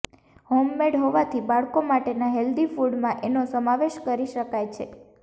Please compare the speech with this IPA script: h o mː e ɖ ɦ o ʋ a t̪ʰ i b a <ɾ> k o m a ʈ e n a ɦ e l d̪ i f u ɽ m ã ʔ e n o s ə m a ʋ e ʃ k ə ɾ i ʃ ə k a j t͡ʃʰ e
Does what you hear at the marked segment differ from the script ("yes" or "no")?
yes